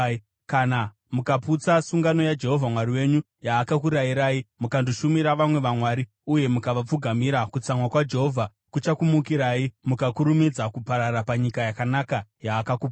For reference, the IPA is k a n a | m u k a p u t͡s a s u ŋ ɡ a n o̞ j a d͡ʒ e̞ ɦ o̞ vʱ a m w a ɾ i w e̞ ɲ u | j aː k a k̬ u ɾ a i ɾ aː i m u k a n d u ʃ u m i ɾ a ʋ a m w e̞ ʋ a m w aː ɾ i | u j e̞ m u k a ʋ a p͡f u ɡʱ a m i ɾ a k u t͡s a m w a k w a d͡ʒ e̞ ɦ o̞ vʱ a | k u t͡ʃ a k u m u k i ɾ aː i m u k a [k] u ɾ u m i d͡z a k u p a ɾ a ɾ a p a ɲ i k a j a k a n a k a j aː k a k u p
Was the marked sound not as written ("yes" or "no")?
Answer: no